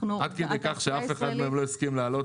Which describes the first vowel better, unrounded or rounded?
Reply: unrounded